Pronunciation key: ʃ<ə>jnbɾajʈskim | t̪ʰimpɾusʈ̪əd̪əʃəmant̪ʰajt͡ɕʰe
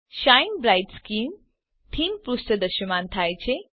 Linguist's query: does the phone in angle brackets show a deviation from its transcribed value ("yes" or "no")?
yes